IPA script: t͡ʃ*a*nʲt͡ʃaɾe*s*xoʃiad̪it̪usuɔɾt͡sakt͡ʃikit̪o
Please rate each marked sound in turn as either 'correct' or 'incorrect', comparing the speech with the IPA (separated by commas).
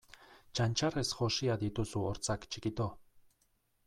correct, correct